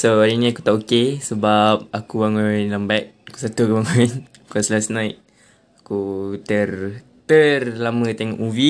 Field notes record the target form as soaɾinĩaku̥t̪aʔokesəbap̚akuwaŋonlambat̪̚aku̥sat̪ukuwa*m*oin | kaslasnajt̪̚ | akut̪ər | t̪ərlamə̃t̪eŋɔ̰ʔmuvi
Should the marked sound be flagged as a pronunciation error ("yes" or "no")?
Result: yes